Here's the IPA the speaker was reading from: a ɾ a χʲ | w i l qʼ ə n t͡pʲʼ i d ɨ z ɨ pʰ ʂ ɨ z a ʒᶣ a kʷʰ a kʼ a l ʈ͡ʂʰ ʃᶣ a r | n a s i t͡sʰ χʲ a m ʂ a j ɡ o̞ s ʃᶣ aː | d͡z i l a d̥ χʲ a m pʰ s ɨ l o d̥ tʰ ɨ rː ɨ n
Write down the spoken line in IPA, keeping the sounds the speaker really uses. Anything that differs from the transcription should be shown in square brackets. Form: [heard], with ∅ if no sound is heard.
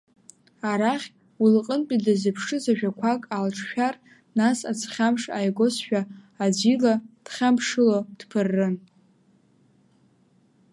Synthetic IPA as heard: a ɾ a χʲ | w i l qʼ ə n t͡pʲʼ i d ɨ z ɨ pʰ ʂ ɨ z a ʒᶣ a kʷʰ a kʼ a l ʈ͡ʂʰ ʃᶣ a r | n a s [a] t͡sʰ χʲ a m ʂ a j ɡ o̞ s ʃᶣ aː | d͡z i l a d̥ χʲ a m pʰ [ʂ] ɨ l o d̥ [pʰ] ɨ rː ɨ n